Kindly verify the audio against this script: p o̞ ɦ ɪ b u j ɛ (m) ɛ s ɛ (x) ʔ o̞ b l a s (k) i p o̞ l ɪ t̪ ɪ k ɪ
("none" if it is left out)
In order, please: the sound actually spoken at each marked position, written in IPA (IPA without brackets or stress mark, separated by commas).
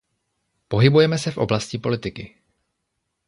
m, f, c